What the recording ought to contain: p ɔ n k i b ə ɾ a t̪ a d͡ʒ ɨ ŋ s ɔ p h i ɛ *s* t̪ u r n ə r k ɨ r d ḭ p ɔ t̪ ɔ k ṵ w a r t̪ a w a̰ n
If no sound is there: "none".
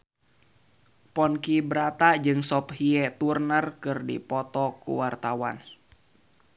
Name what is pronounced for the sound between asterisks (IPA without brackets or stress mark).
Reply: none